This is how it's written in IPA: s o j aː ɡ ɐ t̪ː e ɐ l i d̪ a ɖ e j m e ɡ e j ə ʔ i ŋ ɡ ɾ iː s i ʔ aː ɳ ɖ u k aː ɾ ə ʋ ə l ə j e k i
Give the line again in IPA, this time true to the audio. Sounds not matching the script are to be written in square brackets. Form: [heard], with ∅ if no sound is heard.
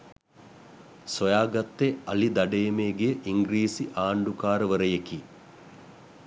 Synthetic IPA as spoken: s o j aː ɡ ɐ t̪ː e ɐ l i d̪ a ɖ e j m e ɡ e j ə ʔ i ŋ ɡ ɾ iː s i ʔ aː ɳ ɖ u k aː ɾ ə ʋ ə [ɾ] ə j e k i